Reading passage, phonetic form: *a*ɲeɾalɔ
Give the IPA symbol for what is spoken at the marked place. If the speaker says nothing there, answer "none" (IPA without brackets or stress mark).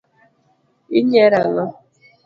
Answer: i